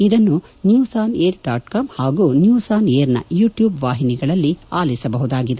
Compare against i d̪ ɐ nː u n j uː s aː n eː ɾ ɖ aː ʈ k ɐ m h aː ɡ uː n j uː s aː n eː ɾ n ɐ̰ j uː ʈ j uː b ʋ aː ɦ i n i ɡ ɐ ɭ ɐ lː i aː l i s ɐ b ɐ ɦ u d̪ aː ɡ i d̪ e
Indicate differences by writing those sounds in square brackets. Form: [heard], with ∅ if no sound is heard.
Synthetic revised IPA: i d̪ ɐ nː u n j uː s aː n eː ɾ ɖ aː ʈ k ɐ m h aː ɡ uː n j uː s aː n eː ɾ n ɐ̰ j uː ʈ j uː b ʋ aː ɦ i n i ɡ ɐ ɭ ɐ lː i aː l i s ɐ b ɐ ɦ u d̪ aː ɡ i d̪ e